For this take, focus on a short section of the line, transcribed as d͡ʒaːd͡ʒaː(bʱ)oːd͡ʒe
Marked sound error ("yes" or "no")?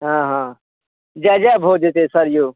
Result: no